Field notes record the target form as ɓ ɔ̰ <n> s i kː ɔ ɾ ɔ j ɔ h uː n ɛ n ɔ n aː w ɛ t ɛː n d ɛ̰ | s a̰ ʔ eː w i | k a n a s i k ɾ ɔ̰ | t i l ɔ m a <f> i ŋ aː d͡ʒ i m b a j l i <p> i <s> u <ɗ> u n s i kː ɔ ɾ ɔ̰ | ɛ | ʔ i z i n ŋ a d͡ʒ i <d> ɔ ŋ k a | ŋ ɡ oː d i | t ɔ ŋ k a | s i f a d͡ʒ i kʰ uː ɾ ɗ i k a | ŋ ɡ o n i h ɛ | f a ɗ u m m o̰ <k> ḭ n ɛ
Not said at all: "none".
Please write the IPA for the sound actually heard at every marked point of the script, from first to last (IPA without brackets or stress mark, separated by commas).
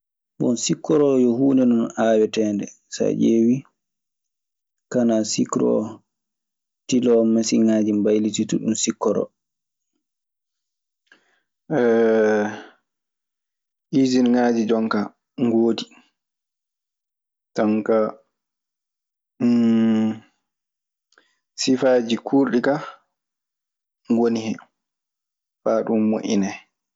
n, s, t, t, ɗ, d͡ʒ, ʔ